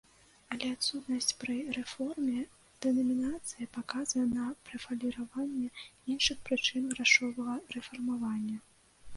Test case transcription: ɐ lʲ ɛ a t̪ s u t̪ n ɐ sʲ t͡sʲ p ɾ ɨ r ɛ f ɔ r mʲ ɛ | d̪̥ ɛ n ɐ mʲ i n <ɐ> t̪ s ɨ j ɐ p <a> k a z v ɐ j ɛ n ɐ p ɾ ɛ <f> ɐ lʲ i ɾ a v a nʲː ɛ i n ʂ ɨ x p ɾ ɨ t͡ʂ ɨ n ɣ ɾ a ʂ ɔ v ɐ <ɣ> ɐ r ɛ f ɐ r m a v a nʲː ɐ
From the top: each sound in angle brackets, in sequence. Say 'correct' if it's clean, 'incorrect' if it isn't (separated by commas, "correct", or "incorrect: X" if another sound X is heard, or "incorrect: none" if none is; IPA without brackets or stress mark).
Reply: incorrect: a, correct, correct, correct